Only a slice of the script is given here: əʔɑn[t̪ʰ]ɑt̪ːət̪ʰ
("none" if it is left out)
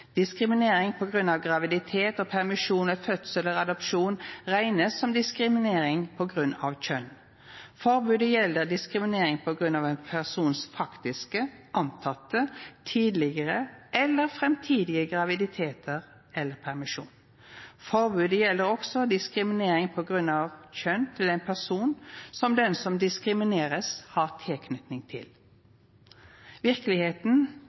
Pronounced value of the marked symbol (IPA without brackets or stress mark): t̪ʰ